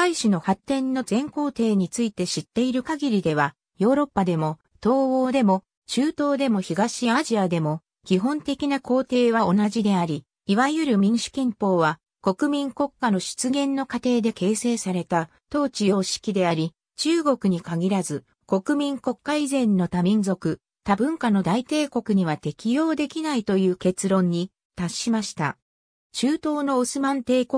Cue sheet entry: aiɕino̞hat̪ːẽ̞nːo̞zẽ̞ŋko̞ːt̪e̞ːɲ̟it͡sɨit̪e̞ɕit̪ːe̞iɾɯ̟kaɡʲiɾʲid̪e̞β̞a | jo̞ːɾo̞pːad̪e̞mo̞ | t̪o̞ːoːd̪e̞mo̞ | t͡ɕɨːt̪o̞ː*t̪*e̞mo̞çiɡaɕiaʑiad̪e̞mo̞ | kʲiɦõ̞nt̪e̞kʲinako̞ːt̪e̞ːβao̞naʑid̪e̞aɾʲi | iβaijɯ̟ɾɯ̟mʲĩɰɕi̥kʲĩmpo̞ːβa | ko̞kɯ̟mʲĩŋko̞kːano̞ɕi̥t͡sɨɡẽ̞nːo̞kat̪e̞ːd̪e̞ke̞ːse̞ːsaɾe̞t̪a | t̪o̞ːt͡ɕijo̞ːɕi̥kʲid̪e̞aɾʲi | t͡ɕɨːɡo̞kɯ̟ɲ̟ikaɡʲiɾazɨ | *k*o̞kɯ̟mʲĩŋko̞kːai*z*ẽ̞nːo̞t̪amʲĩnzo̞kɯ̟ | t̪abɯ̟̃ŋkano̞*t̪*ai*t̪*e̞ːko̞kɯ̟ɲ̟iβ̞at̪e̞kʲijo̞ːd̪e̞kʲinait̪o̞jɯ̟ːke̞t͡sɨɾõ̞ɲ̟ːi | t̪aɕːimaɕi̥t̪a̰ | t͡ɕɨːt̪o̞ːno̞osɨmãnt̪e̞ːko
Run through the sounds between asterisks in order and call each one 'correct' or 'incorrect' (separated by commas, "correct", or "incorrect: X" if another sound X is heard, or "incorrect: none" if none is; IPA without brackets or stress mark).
incorrect: d̪, correct, correct, incorrect: d̪, correct